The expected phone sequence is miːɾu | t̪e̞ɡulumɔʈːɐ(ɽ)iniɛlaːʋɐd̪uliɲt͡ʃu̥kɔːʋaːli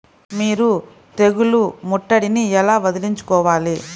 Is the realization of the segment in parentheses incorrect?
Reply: no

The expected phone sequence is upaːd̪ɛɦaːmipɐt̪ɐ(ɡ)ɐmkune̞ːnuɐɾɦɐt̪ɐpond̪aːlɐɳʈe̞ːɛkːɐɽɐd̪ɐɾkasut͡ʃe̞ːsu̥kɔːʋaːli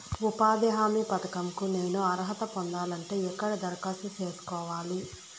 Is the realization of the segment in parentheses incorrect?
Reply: yes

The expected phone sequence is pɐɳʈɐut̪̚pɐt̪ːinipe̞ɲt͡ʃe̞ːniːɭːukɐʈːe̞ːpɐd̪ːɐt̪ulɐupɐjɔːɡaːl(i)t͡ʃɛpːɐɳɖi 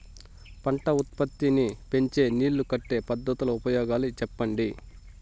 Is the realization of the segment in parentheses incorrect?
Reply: no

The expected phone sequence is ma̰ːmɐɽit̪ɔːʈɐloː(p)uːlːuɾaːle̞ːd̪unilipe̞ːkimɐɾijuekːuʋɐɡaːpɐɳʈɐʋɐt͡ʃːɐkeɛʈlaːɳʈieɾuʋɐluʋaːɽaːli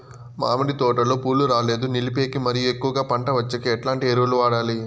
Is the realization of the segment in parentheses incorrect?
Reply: no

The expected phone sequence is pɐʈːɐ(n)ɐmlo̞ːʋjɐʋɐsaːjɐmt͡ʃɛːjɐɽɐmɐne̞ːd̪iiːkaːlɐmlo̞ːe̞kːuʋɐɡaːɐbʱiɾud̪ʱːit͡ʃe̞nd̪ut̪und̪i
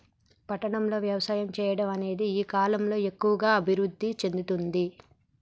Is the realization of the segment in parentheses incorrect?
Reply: yes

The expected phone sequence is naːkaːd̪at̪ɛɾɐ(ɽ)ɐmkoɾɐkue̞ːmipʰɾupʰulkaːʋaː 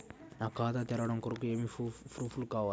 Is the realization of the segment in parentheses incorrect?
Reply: no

